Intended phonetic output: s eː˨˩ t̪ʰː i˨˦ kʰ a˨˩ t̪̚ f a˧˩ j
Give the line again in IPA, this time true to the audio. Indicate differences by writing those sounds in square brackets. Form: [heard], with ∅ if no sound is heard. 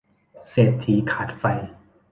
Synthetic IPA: s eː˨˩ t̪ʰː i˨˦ kʰ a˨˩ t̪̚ f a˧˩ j